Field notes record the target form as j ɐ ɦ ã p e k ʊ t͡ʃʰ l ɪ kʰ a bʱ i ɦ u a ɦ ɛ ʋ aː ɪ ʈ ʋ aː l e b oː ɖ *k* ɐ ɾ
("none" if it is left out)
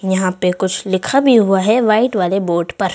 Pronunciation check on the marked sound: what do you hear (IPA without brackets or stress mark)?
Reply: p